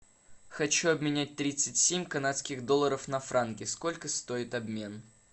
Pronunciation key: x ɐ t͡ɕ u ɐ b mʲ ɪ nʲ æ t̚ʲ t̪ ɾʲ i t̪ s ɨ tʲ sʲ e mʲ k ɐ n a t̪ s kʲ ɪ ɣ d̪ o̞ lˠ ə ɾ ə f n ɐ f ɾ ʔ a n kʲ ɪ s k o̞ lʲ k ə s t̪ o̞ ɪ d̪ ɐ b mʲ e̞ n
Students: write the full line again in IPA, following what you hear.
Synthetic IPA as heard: x ɐ t͡ɕ u ɐ b mʲ ɪ nʲ æ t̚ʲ t̪ ɾʲ i t̪ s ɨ tʲ sʲ e mʲ k ɐ n a t̪ s kʲ ɪ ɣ d̪ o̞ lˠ ə ɾ ə f n ɐ f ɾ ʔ a n kʲ ɪ s k o̞ lʲ k ə s t̪ o̞ ɪ t̪ ɐ b mʲ e̞ n